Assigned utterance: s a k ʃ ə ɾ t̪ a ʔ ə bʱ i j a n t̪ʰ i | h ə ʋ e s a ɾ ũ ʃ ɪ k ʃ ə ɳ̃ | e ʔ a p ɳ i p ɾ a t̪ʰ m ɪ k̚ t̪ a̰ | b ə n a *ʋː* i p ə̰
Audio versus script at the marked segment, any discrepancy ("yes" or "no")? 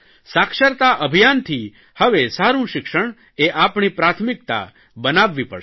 no